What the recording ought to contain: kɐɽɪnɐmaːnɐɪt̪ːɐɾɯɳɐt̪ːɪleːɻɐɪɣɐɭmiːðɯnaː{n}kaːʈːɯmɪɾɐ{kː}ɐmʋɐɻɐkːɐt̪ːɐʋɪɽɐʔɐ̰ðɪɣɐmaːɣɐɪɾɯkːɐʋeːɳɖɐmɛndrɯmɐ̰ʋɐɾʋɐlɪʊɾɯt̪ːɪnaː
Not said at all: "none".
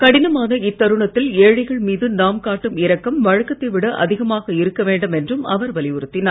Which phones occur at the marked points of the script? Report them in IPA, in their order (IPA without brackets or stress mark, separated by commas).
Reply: m, kː